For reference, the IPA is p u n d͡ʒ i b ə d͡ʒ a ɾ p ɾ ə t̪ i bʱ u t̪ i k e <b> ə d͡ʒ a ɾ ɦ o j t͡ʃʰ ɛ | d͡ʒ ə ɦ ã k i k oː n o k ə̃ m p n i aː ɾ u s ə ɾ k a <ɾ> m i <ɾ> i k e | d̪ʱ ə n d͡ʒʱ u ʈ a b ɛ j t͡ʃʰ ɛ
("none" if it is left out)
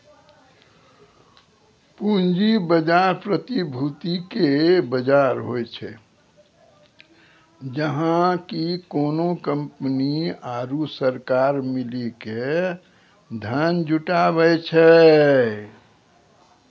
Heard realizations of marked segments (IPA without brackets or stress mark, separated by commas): b, ɾ, l